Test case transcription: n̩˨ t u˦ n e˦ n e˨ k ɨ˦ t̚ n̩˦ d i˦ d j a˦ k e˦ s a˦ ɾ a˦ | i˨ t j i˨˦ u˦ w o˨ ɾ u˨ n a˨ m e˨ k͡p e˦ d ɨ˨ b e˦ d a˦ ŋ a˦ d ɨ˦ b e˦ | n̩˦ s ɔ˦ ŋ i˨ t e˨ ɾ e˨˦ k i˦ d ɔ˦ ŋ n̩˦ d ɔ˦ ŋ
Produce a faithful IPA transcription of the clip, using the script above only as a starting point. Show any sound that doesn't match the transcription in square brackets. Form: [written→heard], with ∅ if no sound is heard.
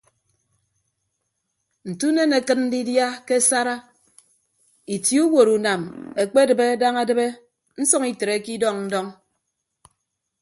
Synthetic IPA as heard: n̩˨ t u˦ n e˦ n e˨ k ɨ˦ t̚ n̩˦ d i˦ d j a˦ k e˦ s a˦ ɾ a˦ | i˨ t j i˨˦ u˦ w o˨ ɾ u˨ n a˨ m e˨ k͡p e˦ d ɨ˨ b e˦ d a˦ ŋ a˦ d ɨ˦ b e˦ | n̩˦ s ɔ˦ ŋ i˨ t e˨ ɾ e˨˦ k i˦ d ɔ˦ ŋ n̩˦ d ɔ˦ ŋ